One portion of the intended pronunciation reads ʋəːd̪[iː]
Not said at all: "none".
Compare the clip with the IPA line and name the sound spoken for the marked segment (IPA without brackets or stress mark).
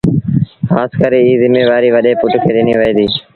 iː